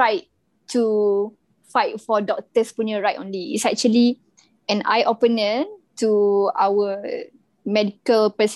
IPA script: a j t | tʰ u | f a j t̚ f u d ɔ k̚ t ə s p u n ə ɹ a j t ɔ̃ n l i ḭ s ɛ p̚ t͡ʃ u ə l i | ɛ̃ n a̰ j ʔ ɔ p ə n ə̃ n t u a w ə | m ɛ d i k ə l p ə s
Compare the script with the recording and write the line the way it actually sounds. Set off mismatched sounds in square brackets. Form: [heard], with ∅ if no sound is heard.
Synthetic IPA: a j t | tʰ u | f a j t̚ f [ɔ] d ɔ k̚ t ə s p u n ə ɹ a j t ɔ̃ n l i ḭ s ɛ [k̚] t͡ʃ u ə l i | ɛ̃ n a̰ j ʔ ɔ p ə n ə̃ n t u a w ə | m ɛ d i k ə l p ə s